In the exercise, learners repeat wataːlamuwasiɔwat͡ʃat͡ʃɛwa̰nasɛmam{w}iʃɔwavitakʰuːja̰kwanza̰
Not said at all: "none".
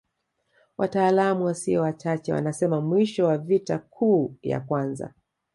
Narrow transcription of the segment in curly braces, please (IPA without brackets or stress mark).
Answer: w